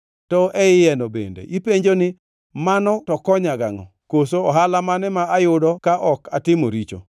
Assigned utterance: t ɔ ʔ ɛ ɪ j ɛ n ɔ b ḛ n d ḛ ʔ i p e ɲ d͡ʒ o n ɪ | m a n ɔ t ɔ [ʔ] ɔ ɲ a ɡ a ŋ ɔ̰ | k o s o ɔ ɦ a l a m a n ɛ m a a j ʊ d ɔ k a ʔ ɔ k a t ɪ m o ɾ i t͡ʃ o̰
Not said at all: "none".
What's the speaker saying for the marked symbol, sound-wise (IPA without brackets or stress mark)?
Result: k